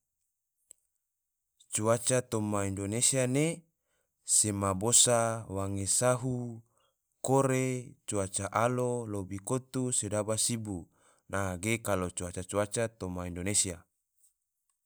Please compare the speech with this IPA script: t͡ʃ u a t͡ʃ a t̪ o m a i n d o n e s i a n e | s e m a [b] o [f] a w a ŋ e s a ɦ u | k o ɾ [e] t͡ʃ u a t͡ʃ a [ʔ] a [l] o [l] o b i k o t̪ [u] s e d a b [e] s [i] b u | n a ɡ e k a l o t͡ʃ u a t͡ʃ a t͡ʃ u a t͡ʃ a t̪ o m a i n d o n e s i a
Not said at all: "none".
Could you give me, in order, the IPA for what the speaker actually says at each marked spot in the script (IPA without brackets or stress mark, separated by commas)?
b, s, e, ʔ, l, l, u, a, i